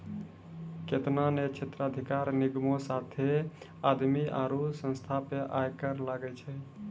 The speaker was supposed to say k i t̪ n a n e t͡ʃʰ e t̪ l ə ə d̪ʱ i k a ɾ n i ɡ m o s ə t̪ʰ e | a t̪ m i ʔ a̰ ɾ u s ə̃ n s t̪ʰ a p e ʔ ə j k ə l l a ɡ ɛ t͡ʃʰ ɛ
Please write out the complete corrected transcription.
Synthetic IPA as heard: k e t̪ n a n e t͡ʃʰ e t̪ ɾ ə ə d̪ʱ i k a ɾ n i ɡ m o s a t̪ʰ e | a d̪ m i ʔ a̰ ɾ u s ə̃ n s t̪ʰ a p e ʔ a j k ə ɾ l a ɡ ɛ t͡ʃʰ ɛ

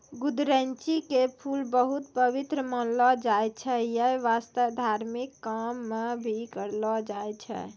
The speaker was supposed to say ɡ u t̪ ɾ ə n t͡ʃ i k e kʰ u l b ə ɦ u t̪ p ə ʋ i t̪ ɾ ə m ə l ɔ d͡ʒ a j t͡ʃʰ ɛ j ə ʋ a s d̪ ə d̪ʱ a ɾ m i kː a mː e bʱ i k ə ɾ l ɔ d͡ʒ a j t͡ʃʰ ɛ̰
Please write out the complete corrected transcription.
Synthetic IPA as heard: ɡ u d̪ ɾ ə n t͡ʃ i k e pʰ u l b ə ɦ u t̪ p ə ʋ i t̪ ɾ ə m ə l ɔ d͡ʒ a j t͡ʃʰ ɛ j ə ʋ a s t̪ ə d̪ʱ a ɾ m i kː a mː e bʱ i k ə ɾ l ɔ d͡ʒ a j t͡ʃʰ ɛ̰

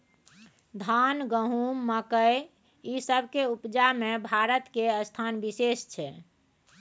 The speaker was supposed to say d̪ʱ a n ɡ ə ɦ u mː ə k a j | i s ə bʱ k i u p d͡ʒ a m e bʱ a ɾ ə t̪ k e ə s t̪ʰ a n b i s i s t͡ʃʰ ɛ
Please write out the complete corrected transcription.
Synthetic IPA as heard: d̪ʱ a n ɡ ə ɦ u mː ə k ə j | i s ə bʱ k e u p d͡ʒ a m e bʱ a ɾ ə t̪ k e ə s t̪ʰ a n b i s e s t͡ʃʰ ɛ

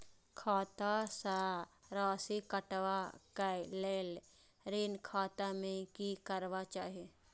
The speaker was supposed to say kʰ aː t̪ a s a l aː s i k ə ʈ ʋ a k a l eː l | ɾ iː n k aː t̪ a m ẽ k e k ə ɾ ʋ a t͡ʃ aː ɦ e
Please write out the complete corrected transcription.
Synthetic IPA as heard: kʰ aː t̪ a s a ɾ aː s i k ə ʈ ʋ a k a l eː l | ɾ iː n kʰ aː t̪ a m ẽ k i k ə ɾ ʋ a t͡ʃ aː ɦ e

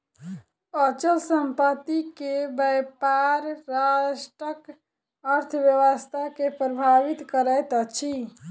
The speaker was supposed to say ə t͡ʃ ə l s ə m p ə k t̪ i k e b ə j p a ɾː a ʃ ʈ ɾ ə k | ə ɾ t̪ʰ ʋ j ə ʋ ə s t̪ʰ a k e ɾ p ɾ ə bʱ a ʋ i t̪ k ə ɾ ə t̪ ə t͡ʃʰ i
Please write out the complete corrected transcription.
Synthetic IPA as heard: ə t͡ʃ ə l s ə m p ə t̪ i k e b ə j p a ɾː a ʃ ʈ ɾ ə k | ə ɾ t̪ʰ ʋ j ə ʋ ə s t̪ʰ a k e p ɾ ə bʱ a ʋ i t̪ k ə ɾ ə t̪ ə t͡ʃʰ i

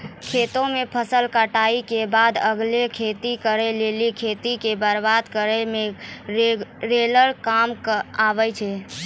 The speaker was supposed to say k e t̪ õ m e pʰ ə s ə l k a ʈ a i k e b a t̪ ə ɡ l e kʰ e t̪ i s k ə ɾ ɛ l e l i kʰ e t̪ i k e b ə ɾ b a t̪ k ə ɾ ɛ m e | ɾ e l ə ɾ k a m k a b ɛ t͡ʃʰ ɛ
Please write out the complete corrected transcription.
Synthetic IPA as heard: kʰ e t̪ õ m e pʰ ə s ə l k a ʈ a i k e b a d̪ ə ɡ l e kʰ e t̪ i k ə ɾ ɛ l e l i kʰ e t̪ i k e b ə ɾ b a d̪ k ə ɾ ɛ m e | ɾ e l ə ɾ k a m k a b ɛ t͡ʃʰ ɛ

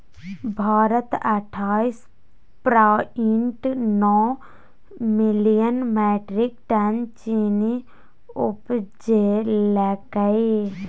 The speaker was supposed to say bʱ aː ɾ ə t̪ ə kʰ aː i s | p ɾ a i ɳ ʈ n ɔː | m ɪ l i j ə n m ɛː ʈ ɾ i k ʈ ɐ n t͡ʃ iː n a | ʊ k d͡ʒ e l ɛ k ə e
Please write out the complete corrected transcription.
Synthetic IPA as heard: bʱ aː ɾ ə t̪ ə ʈʰ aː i s | p ɾ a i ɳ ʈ n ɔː | m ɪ l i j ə n m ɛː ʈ ɾ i k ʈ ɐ n t͡ʃ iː n i | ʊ p d͡ʒ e l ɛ k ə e

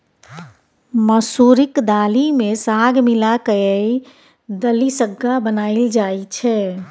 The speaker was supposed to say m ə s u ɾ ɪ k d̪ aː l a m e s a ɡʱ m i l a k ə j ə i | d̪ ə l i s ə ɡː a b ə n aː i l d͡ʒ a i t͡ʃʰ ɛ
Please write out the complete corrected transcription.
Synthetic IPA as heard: m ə s u ɾ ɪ k d̪ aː l i m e s a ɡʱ m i l a k ə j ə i | d̪ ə l i s ə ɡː a b ə n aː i l d͡ʒ a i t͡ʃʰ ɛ

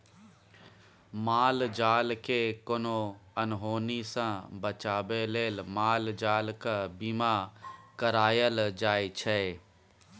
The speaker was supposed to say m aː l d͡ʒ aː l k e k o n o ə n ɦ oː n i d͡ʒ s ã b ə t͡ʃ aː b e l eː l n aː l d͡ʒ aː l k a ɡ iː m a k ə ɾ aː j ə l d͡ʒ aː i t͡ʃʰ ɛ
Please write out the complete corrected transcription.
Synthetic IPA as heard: m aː l d͡ʒ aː l k e k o n o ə n ɦ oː n i s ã b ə t͡ʃ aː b e l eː l m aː l d͡ʒ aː l k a b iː m a k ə ɾ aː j ə l d͡ʒ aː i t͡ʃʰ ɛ

